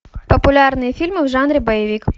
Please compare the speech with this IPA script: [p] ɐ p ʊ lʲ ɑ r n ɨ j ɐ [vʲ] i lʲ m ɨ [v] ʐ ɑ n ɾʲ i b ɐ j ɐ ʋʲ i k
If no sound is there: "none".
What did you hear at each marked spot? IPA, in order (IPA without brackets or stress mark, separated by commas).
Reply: p, fʲ, w